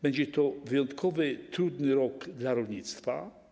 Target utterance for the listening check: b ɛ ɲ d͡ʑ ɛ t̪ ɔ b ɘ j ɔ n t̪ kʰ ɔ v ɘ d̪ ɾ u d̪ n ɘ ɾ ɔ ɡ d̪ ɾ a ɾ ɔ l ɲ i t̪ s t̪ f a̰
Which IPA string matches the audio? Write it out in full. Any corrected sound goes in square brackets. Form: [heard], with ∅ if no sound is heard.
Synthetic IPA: b ɛ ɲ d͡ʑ ɛ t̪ ɔ [v] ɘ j ɔ n t̪ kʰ ɔ v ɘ [t̪] ɾ u d̪ n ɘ ɾ ɔ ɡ d̪ [l] a ɾ ɔ l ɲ i t̪ s t̪ f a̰